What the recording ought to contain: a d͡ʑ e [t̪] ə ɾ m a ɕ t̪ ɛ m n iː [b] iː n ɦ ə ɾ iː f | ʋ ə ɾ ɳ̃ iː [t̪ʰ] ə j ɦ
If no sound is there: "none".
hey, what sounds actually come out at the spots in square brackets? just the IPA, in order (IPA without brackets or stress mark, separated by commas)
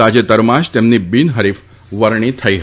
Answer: t̪, b, t̪ʰ